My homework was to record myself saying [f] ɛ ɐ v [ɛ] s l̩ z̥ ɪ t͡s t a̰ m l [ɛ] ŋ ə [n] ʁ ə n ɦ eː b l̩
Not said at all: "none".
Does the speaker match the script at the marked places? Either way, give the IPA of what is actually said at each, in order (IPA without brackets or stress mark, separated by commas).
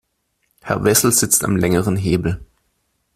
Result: h, ɛ, ɛ, none